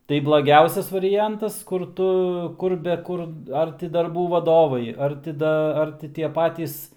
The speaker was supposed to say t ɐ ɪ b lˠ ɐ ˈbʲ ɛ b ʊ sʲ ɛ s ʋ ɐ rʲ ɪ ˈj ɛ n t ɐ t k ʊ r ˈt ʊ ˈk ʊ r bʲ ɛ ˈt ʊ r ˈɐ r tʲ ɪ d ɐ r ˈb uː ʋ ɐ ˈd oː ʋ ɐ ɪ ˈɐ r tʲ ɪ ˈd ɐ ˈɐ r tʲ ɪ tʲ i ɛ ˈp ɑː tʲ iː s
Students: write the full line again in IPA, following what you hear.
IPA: t ɐ ɪ b lˠ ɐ ˈɡʲ ɛ ʊ sʲ ɛ s ʋ ɐ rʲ ɪ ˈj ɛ n t ɐ s k ʊ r ˈt ʊ ˈk ʊ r bʲ ɛ ˈk ʊ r ˈɐ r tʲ ɪ d ɐ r ˈb uː ʋ ɐ ˈd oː ʋ ɐ ɪ ˈɐ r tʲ ɪ ˈd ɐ ˈɐ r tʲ ɪ tʲ i ɛ ˈp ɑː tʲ iː s

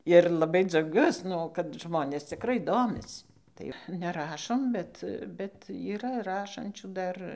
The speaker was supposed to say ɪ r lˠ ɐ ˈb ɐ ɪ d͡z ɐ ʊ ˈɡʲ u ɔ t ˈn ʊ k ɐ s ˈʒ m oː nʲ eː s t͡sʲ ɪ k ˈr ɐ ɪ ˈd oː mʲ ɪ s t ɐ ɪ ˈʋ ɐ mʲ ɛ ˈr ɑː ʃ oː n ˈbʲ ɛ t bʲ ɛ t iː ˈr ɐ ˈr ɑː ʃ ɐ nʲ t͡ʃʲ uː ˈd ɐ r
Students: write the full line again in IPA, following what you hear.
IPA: ɪ r lˠ ɐ ˈb ɐ ɪ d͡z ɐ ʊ ˈɡʲ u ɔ s ˈn ʊ k ɐ t ˈʒ m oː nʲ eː s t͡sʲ ɪ k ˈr ɐ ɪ ˈd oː mʲ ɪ s t ɐ ɪ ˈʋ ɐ nʲ ɛ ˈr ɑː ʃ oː m ˈbʲ ɛ t bʲ ɛ t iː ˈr ɐ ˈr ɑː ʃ ɐ nʲ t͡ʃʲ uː ˈd ɐ r

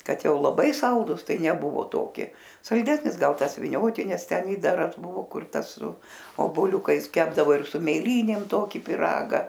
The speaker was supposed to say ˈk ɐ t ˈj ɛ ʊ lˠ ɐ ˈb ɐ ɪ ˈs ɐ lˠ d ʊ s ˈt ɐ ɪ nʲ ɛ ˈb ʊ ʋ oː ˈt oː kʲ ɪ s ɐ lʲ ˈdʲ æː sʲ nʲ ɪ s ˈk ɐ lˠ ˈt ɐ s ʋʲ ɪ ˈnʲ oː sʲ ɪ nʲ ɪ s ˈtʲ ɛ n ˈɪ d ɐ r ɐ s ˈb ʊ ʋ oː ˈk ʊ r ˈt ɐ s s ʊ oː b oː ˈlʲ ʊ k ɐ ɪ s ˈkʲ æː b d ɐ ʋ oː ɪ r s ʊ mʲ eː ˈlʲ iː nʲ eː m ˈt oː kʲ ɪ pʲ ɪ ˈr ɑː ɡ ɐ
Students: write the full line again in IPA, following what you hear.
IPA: ˈk ɐ t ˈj ɛ ʊ lˠ ɐ ˈb ɐ ɪ ˈs ɐ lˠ d ʊ s ˈt ɐ ɪ nʲ ɛ ˈb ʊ ʋ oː ˈt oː kʲ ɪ s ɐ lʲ ˈdʲ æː sʲ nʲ ɪ s ˈɡ ɐ lˠ ˈt ɐ s ʋʲ ɪ ˈnʲ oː tʲ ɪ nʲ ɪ s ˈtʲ ɛ n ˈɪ d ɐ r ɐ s ˈb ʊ ʋ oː ˈk ʊ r ˈt ɐ s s ʊ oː b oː ˈlʲ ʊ k ɐ ɪ s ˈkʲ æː b d ɐ ʋ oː ɪ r s ʊ mʲ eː ˈlʲ iː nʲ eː m ˈt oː kʲ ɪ pʲ ɪ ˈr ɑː ɡ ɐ

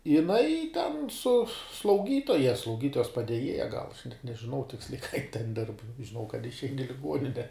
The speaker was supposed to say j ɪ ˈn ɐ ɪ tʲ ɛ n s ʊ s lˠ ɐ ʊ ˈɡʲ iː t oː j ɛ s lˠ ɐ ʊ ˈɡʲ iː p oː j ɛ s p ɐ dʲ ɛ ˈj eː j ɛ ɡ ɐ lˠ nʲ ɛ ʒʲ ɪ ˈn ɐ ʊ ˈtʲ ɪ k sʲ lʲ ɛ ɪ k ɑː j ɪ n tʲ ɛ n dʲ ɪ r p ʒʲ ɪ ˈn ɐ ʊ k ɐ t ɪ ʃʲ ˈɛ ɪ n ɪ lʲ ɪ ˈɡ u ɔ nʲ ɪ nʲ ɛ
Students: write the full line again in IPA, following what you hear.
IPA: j ɪ ˈn ɐ ɪ tʲ ɛ n s ʊ s lˠ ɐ ʊ ˈɡʲ iː t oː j ɛ s lˠ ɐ ʊ ˈɡʲ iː t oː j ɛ s p ɐ dʲ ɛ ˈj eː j ɛ ɡ ɐ lˠ nʲ ɛ ʒʲ ɪ ˈn ɐ ʊ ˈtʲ ɪ k sʲ lʲ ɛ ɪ k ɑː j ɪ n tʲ ɛ n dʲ ɪ r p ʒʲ ɪ ˈn ɐ ʊ k ɐ t ɪ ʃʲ ˈɛ ɪ n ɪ lʲ ɪ ˈɡ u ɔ nʲ ɪ nʲ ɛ

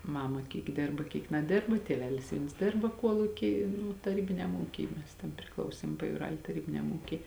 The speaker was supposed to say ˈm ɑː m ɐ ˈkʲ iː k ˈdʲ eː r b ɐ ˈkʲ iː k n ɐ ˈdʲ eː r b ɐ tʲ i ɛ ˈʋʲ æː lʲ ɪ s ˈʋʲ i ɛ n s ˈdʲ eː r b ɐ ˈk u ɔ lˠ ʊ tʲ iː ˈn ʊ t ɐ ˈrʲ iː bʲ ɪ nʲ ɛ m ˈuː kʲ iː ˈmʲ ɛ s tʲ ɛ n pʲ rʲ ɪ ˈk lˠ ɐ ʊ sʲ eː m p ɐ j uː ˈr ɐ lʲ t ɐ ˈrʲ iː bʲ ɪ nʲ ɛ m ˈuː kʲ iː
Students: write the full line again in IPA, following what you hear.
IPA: ˈm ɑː m ɐ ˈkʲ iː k ˈdʲ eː r b ɐ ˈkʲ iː k n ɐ ˈdʲ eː r b ɐ tʲ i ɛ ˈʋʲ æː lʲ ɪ s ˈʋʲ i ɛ n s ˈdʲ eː r b ɐ ˈk u ɔ lˠ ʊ kʲ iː ˈn ʊ t ɐ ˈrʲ iː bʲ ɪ nʲ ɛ m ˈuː kʲ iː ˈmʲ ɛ s tʲ ɛ n pʲ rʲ ɪ ˈk lˠ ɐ ʊ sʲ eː m p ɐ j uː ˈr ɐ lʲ t ɐ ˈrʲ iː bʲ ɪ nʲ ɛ m ˈuː kʲ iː

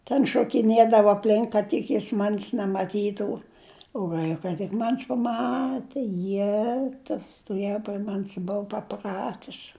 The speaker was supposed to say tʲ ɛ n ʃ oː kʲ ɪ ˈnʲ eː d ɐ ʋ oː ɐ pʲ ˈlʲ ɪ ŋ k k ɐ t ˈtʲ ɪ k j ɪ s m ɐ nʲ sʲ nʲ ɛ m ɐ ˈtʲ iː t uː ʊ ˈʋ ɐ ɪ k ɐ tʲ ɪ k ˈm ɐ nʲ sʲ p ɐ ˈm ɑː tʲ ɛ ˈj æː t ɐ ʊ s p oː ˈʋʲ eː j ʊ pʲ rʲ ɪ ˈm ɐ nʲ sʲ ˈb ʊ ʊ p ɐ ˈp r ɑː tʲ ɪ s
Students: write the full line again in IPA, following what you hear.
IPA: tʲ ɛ n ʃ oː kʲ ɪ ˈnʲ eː d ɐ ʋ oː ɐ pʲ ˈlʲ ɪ ŋ k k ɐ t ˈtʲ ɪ k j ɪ s m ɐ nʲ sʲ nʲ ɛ m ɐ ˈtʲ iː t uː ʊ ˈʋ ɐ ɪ k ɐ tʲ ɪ k ˈm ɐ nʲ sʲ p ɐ ˈm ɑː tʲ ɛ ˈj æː t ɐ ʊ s t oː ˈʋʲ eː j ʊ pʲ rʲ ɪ ˈm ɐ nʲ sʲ ˈb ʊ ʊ p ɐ ˈp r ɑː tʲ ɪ s

